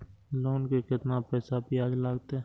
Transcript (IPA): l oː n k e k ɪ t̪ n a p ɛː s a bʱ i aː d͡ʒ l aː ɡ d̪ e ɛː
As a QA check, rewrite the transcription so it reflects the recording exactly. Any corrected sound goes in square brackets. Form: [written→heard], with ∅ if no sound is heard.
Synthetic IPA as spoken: l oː n k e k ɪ t̪ n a p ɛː s a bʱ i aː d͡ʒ l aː ɡ [d̪→t̪] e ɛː